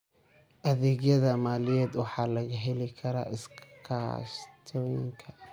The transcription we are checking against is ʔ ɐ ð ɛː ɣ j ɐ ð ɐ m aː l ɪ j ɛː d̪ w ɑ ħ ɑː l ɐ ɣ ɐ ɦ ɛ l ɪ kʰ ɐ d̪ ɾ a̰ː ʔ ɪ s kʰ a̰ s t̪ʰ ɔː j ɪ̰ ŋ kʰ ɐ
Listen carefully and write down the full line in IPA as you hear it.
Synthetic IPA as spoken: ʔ ɐ ð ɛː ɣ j ɐ ð ɐ m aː l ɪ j ɛː d̪ w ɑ ħ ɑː l ɐ ɣ ɐ ɦ ɛ l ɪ kʰ ɐ ɾ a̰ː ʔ ɪ s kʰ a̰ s t̪ʰ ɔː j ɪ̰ ŋ kʰ ɐ